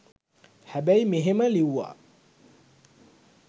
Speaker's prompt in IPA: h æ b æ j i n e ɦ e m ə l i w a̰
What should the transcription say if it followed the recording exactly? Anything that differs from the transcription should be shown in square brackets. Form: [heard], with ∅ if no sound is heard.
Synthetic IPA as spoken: h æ b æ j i [m] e ɦ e m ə l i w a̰